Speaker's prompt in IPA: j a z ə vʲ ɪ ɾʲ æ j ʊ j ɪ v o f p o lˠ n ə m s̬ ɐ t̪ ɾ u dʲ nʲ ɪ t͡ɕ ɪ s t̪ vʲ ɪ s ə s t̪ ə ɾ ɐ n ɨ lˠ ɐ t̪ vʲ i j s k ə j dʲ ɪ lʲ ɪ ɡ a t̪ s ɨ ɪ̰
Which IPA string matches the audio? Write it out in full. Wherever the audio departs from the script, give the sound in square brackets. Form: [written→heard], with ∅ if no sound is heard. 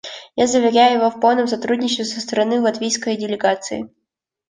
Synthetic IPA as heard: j a z ə vʲ ɪ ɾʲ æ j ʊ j ɪ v o f p o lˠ n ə m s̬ ɐ t̪ ɾ u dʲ nʲ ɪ t͡ɕ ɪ s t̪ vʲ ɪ s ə s t̪ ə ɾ ɐ n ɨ lˠ ɐ t̪ vʲ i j s k ə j dʲ ɪ lʲ ɪ ɡ a t̪ s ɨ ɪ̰